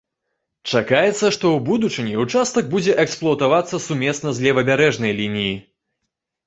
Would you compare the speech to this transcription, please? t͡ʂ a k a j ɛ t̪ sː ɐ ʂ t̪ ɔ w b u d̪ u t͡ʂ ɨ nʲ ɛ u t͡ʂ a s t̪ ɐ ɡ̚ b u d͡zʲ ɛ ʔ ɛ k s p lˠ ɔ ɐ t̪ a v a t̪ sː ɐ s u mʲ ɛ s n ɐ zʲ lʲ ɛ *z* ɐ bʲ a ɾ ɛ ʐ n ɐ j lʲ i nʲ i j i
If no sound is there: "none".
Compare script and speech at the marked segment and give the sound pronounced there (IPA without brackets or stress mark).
v